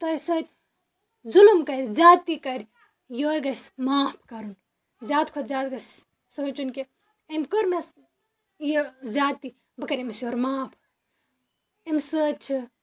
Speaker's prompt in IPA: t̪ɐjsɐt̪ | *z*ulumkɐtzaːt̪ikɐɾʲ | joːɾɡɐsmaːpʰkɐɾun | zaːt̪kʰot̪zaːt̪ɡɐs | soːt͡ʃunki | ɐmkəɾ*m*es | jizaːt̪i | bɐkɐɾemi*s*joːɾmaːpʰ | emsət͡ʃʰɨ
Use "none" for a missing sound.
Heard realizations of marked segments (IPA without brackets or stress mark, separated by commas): z, m, s